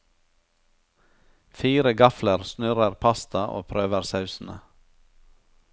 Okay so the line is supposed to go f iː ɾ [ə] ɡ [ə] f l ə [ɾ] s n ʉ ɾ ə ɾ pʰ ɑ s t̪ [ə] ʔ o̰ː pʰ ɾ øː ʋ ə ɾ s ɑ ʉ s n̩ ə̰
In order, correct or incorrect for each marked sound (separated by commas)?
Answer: correct, incorrect, correct, incorrect